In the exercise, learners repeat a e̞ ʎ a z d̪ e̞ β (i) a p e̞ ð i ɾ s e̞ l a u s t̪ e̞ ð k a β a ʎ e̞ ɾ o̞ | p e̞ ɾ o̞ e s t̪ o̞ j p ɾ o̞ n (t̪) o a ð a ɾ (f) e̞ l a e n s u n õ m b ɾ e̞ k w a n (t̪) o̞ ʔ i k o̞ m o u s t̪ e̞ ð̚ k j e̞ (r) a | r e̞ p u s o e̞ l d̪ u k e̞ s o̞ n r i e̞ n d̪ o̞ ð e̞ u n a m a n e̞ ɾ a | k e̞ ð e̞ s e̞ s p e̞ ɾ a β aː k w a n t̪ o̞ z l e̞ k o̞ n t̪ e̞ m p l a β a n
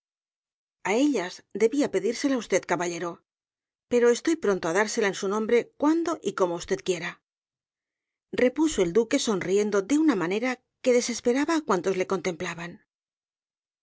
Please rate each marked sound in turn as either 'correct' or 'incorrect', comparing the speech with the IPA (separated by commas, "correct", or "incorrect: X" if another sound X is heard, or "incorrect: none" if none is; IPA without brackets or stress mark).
correct, correct, incorrect: s, incorrect: d̪, incorrect: ɾ